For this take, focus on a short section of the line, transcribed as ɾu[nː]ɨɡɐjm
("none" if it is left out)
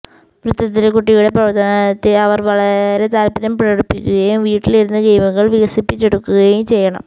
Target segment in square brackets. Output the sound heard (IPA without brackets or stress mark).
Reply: nː